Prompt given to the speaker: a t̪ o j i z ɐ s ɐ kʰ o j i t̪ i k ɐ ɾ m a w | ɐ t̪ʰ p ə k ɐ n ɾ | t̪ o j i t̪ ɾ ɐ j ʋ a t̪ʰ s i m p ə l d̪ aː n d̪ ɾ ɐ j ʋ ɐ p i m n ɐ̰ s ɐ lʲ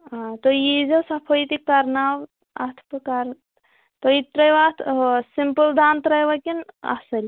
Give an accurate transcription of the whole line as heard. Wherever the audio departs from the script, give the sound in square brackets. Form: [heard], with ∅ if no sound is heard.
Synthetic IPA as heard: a t̪ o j i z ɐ s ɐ [pʰ] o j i t̪ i k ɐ ɾ [n] a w | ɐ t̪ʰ p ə k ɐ [∅] ɾ | t̪ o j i t̪ ɾ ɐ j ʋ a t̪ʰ s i m p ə l d̪ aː n [t̪] ɾ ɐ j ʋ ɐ [k] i [∅] n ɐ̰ s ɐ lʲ